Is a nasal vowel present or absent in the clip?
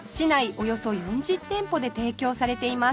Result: present